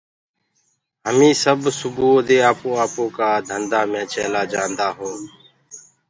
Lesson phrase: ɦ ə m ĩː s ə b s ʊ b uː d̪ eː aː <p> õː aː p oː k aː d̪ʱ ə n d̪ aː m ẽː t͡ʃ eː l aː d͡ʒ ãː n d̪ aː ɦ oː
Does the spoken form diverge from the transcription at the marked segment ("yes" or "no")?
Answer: no